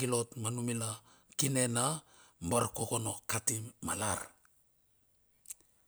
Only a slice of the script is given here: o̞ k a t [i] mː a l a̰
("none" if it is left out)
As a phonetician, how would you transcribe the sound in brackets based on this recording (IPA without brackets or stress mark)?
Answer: i